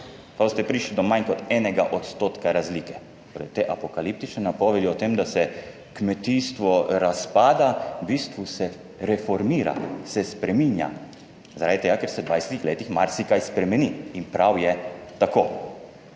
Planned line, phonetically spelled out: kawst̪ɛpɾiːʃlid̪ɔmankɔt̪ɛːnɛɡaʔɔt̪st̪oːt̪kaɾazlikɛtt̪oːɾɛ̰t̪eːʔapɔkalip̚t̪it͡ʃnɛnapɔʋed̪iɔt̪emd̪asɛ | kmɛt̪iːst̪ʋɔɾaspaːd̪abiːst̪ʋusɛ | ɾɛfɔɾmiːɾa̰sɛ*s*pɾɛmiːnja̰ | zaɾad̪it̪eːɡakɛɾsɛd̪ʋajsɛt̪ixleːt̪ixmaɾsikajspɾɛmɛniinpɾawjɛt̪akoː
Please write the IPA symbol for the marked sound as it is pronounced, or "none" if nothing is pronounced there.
s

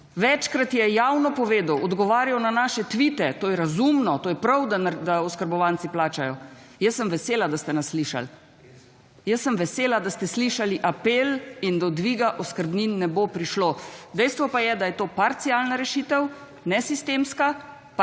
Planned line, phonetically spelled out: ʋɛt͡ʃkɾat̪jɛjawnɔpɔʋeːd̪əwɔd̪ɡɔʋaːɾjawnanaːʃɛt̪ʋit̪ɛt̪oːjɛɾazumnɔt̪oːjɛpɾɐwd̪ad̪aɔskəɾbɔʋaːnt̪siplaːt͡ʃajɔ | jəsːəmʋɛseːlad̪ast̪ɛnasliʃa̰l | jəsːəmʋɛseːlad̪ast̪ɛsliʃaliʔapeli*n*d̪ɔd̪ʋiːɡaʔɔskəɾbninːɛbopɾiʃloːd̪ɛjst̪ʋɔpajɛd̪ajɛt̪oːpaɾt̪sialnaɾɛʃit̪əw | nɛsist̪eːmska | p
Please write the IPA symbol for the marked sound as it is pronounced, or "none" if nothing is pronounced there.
n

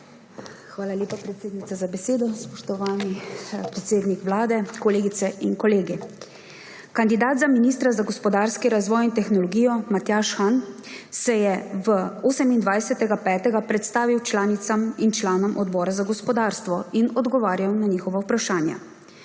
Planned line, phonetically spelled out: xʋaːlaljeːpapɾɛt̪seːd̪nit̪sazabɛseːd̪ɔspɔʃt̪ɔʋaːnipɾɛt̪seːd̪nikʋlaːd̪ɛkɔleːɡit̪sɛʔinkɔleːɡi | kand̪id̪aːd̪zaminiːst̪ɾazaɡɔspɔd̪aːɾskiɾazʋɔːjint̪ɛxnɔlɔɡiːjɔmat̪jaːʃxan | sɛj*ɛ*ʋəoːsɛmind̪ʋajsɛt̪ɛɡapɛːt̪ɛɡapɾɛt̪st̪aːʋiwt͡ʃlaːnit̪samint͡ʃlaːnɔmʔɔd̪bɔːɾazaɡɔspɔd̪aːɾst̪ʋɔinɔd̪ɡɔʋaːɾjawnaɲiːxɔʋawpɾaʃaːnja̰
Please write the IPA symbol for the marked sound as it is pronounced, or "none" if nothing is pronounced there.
ɛ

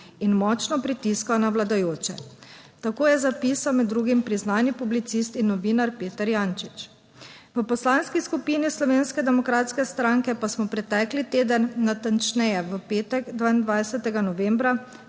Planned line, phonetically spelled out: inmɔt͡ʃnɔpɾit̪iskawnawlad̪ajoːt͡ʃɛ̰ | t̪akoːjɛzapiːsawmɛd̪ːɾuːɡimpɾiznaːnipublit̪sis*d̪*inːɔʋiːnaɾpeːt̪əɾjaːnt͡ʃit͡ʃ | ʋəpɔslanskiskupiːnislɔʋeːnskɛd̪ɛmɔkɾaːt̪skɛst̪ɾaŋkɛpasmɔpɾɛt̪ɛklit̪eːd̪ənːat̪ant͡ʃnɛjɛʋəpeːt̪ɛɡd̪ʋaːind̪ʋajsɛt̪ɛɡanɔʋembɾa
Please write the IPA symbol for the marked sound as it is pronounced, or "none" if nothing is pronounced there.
t̪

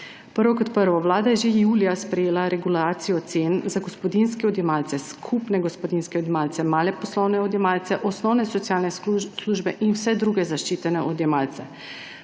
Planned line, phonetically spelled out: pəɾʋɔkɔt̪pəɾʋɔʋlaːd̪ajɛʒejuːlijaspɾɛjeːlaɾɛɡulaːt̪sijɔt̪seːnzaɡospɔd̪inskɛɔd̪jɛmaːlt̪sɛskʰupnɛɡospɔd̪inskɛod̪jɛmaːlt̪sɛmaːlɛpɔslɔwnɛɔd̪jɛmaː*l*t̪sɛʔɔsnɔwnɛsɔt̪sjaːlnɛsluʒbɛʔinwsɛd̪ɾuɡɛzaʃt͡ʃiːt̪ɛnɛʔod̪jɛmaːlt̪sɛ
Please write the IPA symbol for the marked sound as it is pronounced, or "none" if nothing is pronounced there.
l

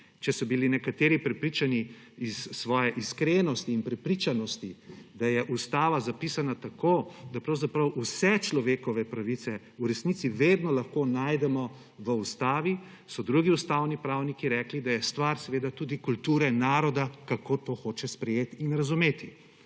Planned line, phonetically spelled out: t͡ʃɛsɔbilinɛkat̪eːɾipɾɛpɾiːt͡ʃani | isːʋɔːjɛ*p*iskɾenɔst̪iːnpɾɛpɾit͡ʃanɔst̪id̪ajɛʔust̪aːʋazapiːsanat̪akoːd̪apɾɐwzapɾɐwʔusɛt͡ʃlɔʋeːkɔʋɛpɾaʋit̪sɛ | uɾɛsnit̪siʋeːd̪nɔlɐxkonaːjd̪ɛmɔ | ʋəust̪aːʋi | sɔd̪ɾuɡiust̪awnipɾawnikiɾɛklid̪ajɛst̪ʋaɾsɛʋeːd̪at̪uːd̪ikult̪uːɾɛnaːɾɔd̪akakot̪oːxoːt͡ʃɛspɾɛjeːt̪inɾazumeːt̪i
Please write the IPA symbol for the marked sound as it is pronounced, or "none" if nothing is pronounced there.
ʔ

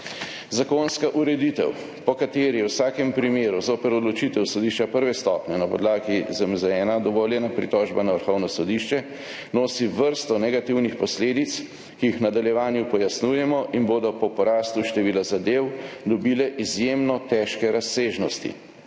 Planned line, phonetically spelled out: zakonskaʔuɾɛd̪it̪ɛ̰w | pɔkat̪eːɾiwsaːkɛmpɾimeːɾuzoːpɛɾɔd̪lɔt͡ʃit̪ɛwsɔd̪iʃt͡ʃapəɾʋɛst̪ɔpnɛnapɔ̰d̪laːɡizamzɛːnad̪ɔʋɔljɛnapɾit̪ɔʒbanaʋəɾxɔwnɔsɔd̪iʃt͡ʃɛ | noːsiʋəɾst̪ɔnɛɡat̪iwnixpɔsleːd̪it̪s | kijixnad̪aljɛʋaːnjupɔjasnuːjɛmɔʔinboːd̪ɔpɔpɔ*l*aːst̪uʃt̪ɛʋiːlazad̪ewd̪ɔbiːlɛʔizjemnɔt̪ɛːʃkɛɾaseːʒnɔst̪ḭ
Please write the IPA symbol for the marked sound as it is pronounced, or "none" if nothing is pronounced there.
ɾ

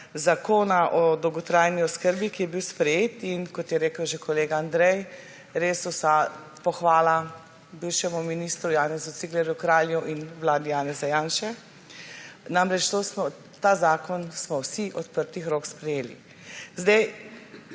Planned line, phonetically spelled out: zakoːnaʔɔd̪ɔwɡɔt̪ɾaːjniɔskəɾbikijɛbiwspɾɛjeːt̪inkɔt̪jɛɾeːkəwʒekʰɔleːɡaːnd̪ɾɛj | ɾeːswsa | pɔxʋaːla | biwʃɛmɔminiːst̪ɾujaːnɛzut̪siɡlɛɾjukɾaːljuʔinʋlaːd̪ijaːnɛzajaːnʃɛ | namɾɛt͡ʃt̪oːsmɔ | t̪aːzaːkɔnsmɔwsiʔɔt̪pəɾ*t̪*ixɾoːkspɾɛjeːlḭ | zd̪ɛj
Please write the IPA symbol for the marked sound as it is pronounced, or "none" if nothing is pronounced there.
t̪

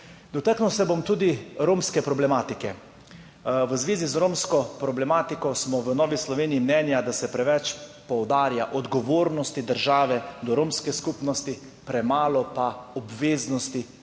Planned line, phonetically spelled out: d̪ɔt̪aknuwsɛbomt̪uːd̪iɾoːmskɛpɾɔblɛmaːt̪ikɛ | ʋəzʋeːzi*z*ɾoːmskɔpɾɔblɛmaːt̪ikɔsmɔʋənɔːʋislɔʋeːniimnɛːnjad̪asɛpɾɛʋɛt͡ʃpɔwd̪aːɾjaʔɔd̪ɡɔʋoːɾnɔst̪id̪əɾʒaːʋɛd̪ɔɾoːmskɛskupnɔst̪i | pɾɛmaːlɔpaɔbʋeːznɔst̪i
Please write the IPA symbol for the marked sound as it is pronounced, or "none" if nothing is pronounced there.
z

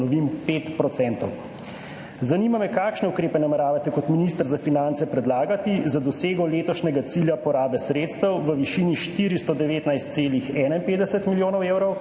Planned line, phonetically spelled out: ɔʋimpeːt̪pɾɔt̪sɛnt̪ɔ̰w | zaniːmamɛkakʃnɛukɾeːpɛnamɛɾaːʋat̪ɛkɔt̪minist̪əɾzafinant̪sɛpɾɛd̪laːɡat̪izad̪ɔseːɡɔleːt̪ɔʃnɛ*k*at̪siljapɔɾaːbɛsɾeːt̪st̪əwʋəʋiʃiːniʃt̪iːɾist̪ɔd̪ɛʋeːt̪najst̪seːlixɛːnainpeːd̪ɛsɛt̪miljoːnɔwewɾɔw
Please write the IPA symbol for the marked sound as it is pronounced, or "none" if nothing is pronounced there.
ɡ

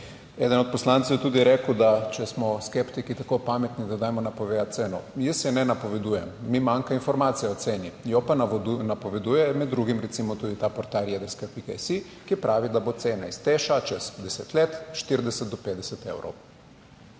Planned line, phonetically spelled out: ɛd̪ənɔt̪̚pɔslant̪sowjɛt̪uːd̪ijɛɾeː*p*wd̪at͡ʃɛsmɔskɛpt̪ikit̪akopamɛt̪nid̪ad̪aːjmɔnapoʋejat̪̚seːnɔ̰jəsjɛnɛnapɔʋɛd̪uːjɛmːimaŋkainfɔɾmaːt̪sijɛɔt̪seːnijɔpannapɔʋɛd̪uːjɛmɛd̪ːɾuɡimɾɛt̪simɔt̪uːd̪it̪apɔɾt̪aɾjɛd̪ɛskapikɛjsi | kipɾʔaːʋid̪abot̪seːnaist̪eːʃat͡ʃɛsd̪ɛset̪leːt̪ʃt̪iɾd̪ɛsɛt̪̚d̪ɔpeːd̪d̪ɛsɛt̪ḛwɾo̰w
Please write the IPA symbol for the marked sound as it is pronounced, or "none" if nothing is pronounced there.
k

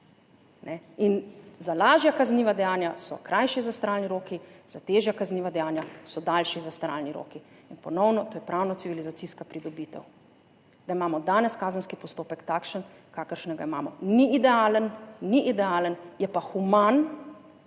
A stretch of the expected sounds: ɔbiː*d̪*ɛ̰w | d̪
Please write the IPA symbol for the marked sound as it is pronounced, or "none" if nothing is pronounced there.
t̪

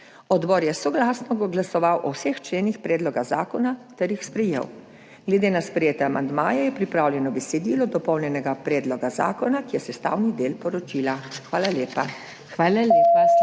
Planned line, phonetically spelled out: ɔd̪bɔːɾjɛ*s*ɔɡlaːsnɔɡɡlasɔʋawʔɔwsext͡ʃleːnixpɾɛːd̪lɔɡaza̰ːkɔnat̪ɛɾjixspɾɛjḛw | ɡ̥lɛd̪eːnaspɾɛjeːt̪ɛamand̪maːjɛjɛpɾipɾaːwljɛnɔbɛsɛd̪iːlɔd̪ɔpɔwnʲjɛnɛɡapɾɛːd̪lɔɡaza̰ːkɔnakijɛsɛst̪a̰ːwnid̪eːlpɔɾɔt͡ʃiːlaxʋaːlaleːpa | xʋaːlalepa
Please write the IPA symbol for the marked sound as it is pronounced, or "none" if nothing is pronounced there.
s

